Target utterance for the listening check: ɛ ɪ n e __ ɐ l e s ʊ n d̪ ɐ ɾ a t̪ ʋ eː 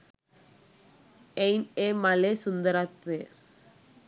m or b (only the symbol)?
m